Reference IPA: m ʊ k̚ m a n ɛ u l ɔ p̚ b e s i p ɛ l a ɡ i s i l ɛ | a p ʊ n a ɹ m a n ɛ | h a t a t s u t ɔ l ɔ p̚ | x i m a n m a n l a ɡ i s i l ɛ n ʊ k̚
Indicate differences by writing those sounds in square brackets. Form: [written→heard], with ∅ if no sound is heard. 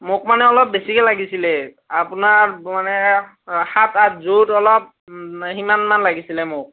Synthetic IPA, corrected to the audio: m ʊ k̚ m a n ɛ [u→ɔ] l ɔ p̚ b e s i [p→k] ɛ l a ɡ i s i l ɛ | a p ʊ n a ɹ m a n ɛ | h a t a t [s→z] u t ɔ l ɔ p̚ | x i m a n m a n l a ɡ i s i l ɛ [n→m] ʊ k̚